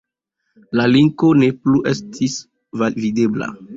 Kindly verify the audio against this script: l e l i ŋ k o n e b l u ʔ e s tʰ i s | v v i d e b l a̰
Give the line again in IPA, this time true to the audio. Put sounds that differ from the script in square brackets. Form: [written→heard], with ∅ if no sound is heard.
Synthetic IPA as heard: l [e→a] l i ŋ k o n e [b→p] l u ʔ e s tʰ i s | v v i d e b l a̰